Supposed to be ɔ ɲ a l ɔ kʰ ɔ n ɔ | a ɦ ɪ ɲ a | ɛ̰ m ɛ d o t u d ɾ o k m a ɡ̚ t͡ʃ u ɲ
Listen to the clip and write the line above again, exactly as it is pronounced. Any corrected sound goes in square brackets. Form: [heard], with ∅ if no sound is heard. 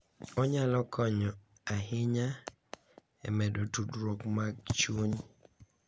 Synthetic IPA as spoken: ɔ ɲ a l ɔ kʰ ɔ [ɲ] ɔ | a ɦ ɪ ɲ a | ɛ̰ m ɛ d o t u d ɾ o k m a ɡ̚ t͡ʃ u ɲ